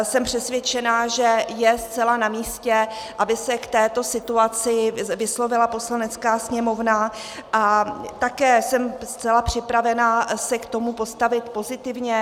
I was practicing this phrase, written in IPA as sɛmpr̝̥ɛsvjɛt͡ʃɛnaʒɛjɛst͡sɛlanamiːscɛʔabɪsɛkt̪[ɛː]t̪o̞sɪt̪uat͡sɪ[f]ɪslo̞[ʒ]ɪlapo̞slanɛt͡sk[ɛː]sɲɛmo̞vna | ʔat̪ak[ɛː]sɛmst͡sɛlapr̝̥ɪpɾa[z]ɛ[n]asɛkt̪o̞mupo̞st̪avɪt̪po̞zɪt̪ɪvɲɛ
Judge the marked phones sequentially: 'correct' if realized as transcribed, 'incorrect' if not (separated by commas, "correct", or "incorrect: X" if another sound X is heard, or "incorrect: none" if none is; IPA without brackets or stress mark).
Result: correct, incorrect: v, incorrect: v, incorrect: aː, correct, incorrect: v, correct